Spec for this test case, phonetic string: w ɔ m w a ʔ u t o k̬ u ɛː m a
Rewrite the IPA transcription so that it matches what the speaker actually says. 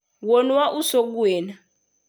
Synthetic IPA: w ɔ n w a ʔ u s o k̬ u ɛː n a